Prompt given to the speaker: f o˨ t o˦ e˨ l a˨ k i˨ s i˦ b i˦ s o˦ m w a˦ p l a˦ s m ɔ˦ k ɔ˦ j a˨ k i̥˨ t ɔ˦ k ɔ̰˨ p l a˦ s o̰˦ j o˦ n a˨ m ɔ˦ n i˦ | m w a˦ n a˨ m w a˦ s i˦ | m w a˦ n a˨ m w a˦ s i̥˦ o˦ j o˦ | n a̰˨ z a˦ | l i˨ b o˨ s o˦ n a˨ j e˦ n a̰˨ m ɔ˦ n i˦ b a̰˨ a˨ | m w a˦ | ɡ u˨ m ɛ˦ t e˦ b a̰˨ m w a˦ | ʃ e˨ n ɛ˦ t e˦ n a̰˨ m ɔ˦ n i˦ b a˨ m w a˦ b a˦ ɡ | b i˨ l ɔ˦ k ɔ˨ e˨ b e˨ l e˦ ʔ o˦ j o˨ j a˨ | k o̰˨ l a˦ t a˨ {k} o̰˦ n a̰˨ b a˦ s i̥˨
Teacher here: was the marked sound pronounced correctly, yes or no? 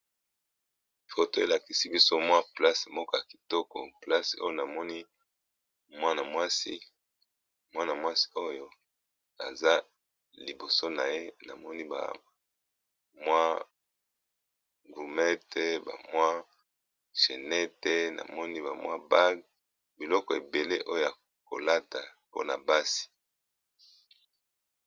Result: no